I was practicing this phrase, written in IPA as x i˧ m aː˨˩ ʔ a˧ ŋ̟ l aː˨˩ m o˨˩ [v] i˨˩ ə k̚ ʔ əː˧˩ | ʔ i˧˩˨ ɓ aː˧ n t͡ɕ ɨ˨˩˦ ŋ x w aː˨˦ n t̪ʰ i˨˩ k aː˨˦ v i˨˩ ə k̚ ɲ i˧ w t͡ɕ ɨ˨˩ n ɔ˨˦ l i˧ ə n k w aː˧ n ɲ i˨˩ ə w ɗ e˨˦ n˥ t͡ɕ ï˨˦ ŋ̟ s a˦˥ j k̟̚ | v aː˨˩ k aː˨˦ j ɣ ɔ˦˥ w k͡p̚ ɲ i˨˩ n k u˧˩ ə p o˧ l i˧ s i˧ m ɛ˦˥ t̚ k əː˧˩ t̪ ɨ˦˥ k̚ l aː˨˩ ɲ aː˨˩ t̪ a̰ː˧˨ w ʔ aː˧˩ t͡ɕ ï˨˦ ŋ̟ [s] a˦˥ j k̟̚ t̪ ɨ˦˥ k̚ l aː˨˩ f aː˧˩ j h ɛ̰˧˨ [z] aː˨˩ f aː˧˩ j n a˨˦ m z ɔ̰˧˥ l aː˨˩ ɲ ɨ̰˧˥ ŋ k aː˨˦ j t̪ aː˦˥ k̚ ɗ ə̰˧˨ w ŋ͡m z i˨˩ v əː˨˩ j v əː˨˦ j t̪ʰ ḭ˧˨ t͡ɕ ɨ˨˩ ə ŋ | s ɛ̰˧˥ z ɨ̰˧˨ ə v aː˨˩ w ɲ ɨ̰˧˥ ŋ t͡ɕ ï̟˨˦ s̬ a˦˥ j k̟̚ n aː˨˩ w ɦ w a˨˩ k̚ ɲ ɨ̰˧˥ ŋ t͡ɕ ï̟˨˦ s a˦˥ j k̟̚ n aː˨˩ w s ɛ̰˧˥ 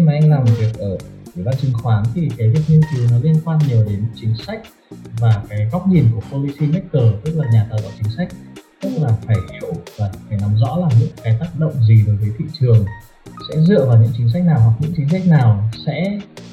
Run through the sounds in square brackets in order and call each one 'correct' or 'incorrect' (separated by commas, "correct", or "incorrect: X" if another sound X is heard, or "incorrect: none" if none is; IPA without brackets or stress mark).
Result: correct, correct, incorrect: v